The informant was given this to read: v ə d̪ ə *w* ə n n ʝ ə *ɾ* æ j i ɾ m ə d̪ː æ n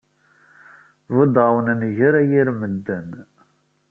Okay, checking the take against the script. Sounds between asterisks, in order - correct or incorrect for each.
correct, correct

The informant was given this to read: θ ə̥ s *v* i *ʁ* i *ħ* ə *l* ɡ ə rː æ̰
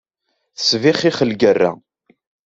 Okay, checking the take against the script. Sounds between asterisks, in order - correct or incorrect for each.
correct, incorrect: χ, incorrect: χ, correct

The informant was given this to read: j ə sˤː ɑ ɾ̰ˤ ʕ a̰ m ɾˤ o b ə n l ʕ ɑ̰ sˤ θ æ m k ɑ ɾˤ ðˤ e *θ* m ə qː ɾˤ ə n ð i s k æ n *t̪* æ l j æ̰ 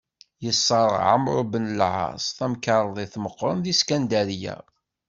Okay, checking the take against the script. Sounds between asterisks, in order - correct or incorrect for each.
correct, incorrect: d̪

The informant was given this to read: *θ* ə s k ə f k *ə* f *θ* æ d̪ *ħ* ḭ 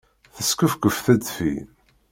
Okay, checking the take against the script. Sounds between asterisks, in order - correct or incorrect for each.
correct, correct, correct, incorrect: f

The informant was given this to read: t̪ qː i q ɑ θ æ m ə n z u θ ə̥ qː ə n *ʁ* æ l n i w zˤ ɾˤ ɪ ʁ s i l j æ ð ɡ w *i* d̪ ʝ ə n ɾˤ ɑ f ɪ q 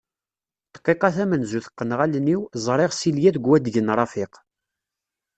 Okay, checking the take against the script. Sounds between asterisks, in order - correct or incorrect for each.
correct, incorrect: æ

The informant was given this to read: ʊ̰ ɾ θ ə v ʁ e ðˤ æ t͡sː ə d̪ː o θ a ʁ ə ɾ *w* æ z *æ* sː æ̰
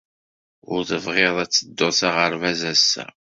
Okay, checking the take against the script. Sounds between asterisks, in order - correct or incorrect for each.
incorrect: v, correct

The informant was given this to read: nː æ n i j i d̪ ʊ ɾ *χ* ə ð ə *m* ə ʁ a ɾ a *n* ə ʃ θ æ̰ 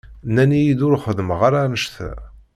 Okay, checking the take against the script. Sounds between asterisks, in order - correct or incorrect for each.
correct, correct, correct

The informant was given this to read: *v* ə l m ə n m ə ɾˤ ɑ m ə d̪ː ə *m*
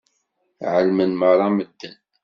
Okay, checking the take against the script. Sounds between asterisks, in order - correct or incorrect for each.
incorrect: ʕ, incorrect: n

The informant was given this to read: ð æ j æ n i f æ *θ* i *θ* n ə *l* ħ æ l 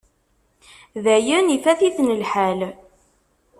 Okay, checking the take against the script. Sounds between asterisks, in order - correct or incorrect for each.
correct, correct, correct

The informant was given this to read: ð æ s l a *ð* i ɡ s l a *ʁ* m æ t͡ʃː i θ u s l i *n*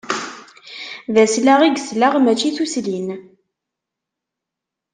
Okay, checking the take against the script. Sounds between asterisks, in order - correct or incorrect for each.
incorrect: ʁ, correct, correct

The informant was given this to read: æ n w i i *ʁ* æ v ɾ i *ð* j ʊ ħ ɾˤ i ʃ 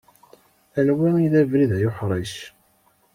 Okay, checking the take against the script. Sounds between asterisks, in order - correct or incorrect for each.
incorrect: ð, correct

